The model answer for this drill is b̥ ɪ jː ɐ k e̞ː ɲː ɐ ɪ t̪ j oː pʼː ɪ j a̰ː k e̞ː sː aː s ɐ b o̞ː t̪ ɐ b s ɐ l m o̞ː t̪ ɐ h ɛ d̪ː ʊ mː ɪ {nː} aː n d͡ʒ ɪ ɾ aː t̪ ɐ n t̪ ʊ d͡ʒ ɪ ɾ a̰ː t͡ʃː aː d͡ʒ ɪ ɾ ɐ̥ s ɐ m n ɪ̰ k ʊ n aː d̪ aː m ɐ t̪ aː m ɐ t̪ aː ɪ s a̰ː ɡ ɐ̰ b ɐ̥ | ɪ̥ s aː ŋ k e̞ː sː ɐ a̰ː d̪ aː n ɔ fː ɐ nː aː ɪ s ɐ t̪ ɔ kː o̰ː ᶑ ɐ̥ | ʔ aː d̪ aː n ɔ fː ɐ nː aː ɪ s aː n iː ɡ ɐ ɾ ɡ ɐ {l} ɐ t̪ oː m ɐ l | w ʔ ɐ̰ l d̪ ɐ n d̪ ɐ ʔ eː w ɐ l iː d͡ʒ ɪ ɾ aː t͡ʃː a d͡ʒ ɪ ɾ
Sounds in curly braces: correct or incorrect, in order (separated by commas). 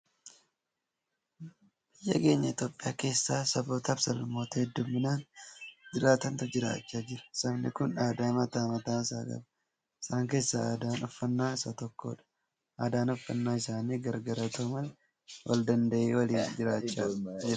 incorrect, incorrect